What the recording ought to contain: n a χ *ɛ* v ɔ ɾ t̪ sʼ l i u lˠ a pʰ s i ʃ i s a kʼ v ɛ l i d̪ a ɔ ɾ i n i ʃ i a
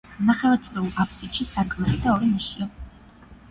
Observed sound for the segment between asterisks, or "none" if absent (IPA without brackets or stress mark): ɛ